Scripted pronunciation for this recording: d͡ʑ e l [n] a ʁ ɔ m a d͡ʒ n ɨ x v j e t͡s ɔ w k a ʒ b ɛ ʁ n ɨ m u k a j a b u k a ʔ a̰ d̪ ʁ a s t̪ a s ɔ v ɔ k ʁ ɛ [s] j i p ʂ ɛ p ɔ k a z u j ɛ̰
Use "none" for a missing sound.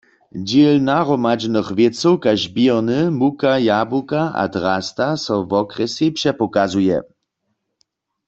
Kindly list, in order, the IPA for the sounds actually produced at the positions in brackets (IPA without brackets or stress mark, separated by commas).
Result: n, s